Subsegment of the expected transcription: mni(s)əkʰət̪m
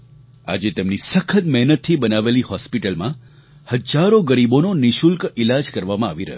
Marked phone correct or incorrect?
correct